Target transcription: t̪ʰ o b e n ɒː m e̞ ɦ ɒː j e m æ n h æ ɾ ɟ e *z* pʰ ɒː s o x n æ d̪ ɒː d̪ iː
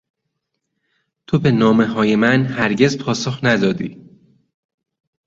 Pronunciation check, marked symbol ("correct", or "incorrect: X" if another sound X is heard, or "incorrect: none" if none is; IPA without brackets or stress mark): correct